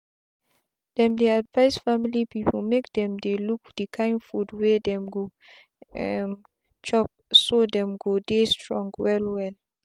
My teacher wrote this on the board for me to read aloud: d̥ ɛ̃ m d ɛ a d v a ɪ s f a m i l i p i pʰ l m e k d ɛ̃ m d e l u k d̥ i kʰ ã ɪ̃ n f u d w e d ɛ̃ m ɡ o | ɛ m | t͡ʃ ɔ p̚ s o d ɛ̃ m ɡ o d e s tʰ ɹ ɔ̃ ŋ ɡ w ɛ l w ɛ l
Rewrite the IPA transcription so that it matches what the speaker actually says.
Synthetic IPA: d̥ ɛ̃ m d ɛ a d v a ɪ s f a m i l i p i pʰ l m e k d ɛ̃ m d e l u k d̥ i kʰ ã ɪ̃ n f u d w e d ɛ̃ m ɡ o | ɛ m | t͡ʃ ɔ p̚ s o d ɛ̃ m ɡ o d e s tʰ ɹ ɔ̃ ŋ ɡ w ɛ l w ɛ l